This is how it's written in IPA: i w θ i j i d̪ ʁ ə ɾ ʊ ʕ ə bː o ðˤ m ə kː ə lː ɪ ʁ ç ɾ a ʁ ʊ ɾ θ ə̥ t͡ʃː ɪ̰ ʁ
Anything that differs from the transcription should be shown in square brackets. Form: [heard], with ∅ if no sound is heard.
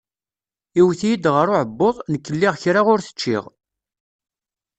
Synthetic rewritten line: i w θ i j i d̪ ʁ ə ɾ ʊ ʕ ə bː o ðˤ [n] ə kː ə lː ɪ ʁ ç ɾ a ʁ ʊ ɾ θ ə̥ t͡ʃː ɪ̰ ʁ

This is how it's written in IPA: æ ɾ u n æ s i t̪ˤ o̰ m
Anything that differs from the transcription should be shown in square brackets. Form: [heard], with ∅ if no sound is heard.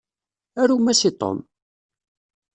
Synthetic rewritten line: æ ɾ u [m] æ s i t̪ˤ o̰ m

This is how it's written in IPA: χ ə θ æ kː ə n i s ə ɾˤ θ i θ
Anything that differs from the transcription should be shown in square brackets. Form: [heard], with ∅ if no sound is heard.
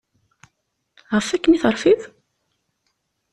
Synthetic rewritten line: [ʁ] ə [f] æ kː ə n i [θ] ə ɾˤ [f] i [ð]

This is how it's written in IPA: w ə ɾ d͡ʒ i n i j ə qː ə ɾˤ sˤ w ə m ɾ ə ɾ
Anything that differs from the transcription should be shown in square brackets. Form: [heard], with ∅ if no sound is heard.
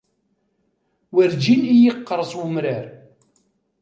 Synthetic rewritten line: w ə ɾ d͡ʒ i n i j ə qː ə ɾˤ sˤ w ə m ɾ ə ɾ

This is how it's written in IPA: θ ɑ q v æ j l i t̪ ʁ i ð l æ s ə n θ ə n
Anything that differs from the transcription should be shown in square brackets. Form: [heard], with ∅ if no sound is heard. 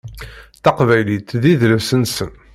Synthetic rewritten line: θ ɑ q v æ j l i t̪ [ð] i ð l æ s ə n [s] ə n

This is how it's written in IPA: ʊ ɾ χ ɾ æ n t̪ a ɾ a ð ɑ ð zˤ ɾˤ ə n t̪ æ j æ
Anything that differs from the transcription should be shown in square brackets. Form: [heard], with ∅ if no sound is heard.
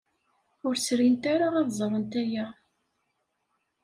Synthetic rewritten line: ʊ ɾ [s] ɾ [i] n t̪ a ɾ a [ʁ] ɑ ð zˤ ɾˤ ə n t̪ æ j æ

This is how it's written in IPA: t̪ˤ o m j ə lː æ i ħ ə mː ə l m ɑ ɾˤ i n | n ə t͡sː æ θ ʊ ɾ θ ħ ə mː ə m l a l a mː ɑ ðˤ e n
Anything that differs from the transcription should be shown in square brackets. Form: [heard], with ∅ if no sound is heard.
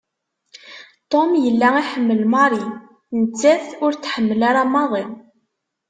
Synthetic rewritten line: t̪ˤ o m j ə lː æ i ħ ə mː ə l m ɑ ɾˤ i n | n ə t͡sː æ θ ʊ ɾ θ ħ ə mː ə [∅] l a [ɾ] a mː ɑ ðˤ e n

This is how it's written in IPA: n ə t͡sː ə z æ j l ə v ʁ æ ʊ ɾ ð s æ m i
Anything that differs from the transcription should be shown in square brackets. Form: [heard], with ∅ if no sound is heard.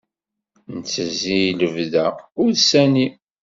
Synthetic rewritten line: n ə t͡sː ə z [i] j l ə v [ð] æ ʊ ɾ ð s æ [n] i

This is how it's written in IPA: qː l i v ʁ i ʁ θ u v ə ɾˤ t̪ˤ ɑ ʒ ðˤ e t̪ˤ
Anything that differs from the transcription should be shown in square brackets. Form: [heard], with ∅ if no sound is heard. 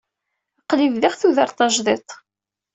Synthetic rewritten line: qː l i v [ð] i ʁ θ u [ð] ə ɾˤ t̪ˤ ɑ ʒ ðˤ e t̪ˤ

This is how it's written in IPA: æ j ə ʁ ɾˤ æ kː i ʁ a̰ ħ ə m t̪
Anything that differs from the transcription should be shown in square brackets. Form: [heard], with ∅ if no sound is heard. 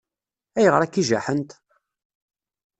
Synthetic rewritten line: æ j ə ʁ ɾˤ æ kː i [ʒ] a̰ ħ ə [n] t̪

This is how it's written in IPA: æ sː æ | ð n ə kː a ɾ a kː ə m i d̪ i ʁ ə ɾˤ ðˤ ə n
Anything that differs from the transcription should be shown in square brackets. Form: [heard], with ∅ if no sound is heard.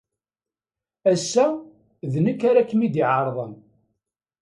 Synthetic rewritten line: æ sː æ | ð n ə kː a ɾ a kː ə m i d̪ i [ʕ] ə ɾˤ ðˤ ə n

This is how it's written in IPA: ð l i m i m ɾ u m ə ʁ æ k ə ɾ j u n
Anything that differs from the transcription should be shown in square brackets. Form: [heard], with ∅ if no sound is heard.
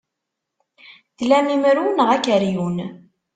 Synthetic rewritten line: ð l [æ] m i m ɾ u [n] ə ʁ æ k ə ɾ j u n

